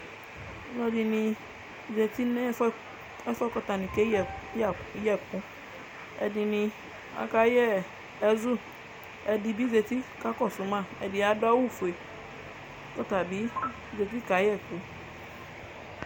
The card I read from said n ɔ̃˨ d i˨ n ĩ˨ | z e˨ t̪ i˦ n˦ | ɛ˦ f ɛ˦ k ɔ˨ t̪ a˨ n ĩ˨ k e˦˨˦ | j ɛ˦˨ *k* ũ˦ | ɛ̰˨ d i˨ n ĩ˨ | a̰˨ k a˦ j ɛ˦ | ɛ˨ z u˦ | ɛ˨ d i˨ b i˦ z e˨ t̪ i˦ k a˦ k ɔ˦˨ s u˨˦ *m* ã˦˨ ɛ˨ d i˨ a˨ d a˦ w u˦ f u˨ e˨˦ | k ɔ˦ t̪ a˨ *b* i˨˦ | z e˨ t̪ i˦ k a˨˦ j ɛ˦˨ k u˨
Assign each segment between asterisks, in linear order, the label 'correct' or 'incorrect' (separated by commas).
correct, correct, correct